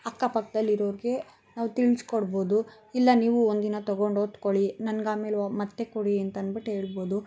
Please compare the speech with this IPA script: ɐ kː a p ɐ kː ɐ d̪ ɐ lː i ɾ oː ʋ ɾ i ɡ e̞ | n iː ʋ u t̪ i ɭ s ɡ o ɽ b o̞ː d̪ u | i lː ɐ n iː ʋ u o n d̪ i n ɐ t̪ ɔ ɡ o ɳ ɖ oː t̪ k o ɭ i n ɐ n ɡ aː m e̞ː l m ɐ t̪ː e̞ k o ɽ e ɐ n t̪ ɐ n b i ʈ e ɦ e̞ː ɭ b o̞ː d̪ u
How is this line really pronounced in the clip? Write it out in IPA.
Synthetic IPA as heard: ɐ kː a p ɐ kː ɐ d̪ ɐ lː i ɾ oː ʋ ɾ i ɡ e̞ | n aː ʋ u t̪ i ɭ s k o ɽ b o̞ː d̪ u | i lː ɐ n iː ʋ u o n d̪ i n ɐ t̪ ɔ ɡ o ɳ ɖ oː t̪ k o ɭ i n ɐ n ɡ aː m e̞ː l m ɐ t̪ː e̞ k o ɽ i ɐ n t̪ ɐ n b i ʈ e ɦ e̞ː ɭ b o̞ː d̪ u